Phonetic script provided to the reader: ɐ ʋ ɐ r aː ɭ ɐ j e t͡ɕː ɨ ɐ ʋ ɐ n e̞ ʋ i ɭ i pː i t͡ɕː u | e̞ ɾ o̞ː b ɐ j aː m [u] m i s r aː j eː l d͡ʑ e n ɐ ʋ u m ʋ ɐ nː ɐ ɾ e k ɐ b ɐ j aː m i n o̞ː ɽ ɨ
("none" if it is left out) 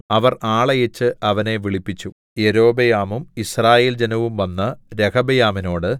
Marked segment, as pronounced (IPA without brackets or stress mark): u